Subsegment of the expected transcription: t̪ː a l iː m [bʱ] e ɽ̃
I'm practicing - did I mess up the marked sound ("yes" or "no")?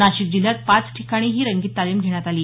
yes